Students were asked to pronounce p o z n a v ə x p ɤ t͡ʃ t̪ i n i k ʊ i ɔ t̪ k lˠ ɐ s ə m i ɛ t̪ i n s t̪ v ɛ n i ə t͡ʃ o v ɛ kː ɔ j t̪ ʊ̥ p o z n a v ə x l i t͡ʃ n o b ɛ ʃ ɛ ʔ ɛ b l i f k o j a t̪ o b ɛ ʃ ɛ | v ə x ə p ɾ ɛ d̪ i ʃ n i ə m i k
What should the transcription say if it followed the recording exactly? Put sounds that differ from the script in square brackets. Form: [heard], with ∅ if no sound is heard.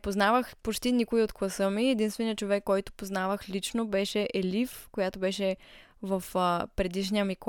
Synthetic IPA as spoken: p o z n a v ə x p [o] t͡ʃ t̪ i n i k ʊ i [o] t̪ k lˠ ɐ s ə m i ɛ [d̪] i n s t̪ v ɛ n i ə t͡ʃ o v ɛ kː ɔ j t̪ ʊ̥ p o z n a v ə x l i t͡ʃ n o b ɛ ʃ ɛ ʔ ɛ [∅] l i f k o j a t̪ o b ɛ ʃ ɛ | v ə [f] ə p ɾ ɛ d̪ i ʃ n i ə m i k